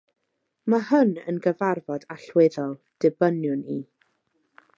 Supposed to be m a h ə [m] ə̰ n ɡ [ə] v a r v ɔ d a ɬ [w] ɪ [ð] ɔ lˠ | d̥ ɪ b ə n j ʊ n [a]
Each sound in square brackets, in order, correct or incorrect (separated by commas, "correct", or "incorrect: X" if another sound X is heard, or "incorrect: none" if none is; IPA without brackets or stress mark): incorrect: n, correct, correct, correct, incorrect: i